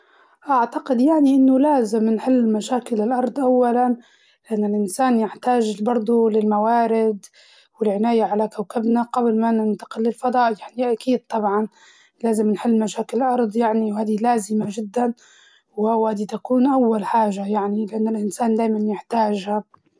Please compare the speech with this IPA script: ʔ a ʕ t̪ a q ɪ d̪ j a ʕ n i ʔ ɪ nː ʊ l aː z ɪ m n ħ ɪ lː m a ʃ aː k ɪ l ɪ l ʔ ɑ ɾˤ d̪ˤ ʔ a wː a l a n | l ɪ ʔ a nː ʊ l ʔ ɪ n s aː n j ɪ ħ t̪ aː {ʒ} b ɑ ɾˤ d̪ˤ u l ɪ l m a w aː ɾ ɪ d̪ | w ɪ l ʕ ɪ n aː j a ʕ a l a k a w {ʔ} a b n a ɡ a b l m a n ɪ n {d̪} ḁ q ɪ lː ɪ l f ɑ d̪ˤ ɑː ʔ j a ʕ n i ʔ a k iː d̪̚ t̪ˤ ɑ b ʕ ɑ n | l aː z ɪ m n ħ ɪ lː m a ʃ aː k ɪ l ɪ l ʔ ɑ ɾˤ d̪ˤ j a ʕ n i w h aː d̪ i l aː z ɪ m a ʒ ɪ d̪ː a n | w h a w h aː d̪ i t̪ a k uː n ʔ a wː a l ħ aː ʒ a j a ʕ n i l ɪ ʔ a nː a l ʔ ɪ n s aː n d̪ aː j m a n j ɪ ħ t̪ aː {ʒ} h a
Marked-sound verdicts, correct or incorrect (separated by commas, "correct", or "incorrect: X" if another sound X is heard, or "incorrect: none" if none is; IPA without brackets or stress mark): correct, incorrect: k, incorrect: t̪, correct